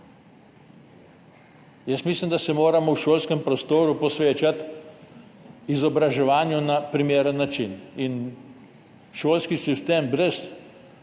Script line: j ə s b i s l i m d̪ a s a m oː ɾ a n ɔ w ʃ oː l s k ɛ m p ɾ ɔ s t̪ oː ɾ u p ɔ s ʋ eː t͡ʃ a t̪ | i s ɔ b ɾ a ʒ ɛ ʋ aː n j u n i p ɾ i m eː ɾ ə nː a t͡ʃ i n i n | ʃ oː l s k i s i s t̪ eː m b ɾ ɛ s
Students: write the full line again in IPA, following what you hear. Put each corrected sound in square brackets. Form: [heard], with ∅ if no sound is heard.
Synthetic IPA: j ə s [m] i s l i m d̪ a s [ɛ] m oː ɾ a [m] ɔ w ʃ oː l s k ɛ m p ɾ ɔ s t̪ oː ɾ u p ɔ s ʋ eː t͡ʃ a t̪ | i [z] ɔ b ɾ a ʒ ɛ ʋ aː n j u n [a] p ɾ i m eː ɾ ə nː a t͡ʃ i n i n | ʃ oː l s k i s i s t̪ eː m b ɾ ɛ s